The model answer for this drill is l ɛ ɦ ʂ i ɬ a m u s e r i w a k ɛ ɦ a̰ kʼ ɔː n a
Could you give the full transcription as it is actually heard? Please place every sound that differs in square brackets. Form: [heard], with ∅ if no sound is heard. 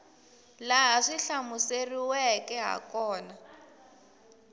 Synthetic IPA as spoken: l [a] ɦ ʂ i ɬ a m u s e r i w [ɛ] k ɛ ɦ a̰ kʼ ɔː n a